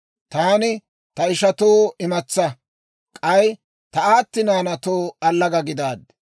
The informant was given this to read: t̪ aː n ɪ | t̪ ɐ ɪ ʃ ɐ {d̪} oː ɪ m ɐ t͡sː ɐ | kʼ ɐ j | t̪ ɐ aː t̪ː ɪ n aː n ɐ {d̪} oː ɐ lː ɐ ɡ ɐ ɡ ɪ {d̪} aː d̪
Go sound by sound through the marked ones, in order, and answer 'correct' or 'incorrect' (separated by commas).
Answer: incorrect, incorrect, correct